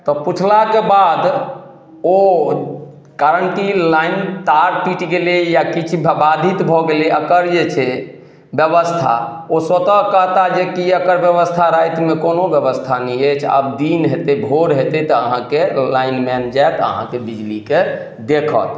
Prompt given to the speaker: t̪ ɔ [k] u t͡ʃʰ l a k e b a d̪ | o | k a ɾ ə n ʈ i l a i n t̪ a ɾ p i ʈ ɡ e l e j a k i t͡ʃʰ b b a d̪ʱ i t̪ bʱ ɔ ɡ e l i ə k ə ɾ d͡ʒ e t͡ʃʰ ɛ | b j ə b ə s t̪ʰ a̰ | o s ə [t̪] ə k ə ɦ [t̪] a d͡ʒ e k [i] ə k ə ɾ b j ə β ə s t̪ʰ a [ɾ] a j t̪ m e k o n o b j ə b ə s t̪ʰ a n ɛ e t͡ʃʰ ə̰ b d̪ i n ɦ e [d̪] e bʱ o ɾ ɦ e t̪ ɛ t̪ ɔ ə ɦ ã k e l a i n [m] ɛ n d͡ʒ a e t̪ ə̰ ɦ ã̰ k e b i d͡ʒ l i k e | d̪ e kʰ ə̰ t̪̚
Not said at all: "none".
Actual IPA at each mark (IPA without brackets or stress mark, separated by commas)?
p, t̪, t̪, i, ɾ, t̪, m